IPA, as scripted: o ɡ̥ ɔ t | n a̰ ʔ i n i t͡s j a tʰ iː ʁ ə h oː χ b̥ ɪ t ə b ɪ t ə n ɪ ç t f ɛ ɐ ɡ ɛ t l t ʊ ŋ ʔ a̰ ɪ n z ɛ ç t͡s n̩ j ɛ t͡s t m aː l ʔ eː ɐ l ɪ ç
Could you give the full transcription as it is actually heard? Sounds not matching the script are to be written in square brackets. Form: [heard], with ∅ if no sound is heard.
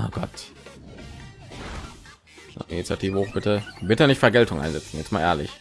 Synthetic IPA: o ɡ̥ ɔ t | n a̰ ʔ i n i t͡s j a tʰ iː [v] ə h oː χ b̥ ɪ t ə b ɪ t ə n ɪ ç t f ɛ ɐ ɡ ɛ [∅] l t ʊ ŋ ʔ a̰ ɪ n z ɛ [∅] t͡s n̩ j ɛ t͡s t m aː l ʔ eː ɐ l ɪ ç